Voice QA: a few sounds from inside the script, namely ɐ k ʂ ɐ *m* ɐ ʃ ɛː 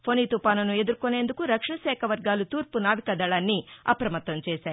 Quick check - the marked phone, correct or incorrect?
incorrect